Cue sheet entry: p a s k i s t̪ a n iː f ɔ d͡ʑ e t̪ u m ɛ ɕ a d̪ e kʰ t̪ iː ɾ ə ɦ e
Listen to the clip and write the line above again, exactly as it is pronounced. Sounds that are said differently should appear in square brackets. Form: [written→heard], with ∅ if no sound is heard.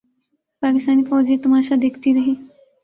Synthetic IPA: p a [s→∅] k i s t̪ a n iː f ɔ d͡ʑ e t̪ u m [ɛ→a] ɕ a d̪ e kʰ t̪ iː ɾ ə ɦ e